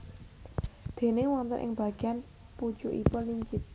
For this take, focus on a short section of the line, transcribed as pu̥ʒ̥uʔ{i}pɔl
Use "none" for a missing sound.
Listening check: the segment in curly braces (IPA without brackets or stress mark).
i